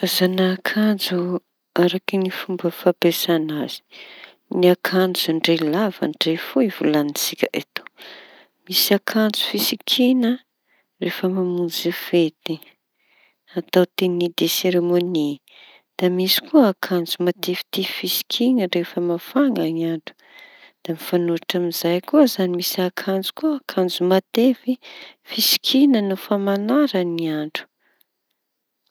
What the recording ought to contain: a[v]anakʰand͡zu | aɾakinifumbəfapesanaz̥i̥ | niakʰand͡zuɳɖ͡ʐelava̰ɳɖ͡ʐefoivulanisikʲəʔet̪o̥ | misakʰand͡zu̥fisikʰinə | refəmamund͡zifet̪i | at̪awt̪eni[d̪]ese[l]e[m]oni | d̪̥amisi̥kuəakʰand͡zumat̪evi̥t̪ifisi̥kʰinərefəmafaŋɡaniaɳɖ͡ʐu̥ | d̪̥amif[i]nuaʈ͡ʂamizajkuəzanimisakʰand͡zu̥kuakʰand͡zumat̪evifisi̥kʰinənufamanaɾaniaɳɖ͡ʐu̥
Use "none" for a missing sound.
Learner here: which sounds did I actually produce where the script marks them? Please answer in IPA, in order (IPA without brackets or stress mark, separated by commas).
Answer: z, d̪, ɾ, m, a